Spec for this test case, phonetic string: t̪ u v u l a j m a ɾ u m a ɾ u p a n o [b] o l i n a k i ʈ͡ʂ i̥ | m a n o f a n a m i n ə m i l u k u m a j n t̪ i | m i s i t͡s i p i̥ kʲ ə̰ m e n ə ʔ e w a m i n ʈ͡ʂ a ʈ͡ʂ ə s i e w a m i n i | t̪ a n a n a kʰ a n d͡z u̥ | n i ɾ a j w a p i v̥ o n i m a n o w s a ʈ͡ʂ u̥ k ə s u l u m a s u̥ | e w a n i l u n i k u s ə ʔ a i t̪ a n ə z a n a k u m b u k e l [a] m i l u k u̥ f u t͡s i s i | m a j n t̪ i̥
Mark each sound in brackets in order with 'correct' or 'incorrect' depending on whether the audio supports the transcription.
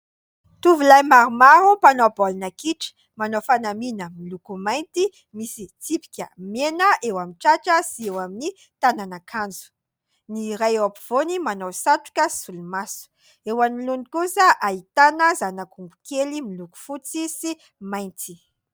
correct, incorrect: i

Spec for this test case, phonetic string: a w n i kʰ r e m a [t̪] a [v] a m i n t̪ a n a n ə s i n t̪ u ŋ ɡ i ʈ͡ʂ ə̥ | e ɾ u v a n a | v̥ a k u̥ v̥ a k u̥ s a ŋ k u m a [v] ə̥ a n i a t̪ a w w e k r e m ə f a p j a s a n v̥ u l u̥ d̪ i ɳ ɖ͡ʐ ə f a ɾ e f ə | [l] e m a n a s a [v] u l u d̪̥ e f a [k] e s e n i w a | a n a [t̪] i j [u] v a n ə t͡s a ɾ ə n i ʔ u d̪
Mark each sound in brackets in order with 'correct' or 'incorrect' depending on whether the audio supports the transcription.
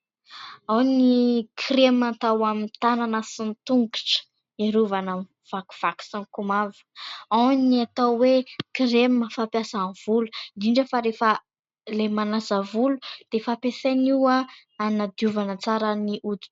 correct, incorrect: w, correct, correct, correct, incorrect: p, incorrect: d̪, correct

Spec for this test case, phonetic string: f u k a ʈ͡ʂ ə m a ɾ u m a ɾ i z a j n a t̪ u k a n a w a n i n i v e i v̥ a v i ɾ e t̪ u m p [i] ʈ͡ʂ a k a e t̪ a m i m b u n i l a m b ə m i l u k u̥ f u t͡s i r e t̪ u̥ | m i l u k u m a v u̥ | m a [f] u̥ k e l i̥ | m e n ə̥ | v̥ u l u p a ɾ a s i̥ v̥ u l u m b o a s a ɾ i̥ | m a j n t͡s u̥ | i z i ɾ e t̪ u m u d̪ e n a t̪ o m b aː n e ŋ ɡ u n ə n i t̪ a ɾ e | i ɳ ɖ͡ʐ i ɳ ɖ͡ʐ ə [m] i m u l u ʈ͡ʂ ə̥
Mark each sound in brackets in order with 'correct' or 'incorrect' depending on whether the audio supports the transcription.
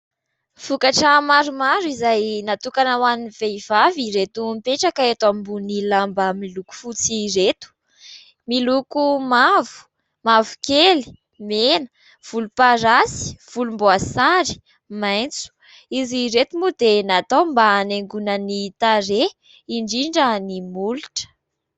incorrect: e, incorrect: v, incorrect: n

